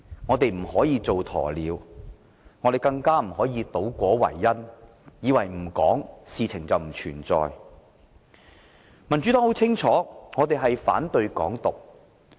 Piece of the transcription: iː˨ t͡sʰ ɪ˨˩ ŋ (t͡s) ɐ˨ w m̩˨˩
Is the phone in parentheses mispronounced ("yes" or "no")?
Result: no